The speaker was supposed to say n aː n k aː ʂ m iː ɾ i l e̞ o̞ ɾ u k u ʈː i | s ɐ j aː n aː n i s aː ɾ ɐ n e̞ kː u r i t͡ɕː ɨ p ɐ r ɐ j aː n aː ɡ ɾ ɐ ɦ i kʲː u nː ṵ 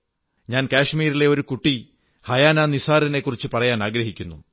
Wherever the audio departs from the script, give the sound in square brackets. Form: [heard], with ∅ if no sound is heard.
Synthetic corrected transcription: [ɲ] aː n k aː ʂ m iː ɾ i l e̞ o̞ ɾ u k u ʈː i | [h] ɐ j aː n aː n i s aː ɾ ɐ n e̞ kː u r i t͡ɕː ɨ p ɐ r ɐ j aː n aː ɡ ɾ ɐ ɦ i kʲː u nː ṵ